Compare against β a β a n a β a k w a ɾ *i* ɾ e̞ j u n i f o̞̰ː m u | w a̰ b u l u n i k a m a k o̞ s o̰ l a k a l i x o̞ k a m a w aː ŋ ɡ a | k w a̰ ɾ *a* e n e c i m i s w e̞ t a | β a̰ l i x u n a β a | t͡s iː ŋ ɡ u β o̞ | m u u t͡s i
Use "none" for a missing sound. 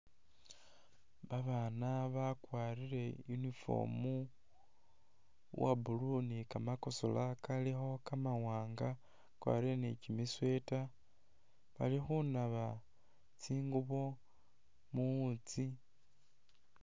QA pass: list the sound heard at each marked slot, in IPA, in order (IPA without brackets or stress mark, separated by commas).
i, i